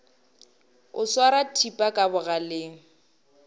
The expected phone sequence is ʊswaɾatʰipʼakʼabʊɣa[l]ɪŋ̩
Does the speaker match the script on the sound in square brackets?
yes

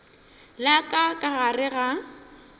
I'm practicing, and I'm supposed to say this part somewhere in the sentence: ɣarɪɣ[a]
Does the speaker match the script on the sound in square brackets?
yes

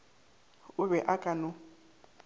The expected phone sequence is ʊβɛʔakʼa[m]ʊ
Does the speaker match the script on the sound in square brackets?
no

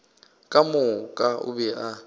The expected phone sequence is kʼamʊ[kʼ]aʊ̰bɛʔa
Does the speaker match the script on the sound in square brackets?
yes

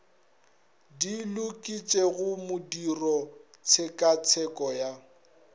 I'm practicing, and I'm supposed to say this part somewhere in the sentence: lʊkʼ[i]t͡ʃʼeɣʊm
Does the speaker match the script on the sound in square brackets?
yes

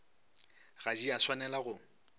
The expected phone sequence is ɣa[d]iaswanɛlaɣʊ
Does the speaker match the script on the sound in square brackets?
no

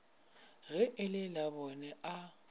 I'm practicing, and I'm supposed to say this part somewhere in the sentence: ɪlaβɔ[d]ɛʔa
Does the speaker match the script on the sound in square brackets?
no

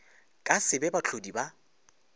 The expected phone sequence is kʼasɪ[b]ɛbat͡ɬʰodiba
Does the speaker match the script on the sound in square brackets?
yes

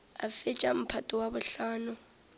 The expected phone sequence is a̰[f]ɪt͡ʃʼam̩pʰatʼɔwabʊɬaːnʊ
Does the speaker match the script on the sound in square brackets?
yes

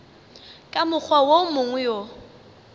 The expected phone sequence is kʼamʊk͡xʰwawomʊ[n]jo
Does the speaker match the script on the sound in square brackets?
no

